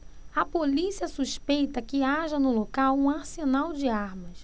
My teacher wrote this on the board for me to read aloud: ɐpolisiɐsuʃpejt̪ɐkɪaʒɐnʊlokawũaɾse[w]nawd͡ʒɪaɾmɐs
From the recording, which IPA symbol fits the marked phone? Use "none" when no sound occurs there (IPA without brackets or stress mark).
none